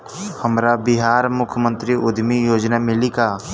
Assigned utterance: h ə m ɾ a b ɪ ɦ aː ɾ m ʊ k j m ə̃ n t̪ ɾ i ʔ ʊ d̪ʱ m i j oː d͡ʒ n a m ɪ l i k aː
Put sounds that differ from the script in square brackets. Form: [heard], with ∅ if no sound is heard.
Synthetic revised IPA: h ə m ɾ a b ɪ ɦ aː ɾ m ʊ [kʰ] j m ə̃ n t̪ ɾ i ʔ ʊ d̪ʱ m i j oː d͡ʒ n a m ɪ l i k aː